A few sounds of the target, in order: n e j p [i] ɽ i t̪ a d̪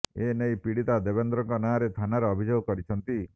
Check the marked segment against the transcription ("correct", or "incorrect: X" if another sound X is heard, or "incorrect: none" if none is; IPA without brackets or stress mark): correct